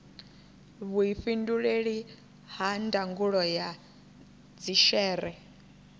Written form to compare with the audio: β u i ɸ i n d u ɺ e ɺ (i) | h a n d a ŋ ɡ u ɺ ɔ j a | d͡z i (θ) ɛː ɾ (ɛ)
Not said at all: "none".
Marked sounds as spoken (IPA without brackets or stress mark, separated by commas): i, ʃ, ɛ